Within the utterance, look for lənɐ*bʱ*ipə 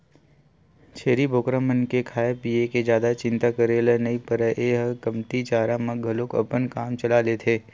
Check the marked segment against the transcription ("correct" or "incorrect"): incorrect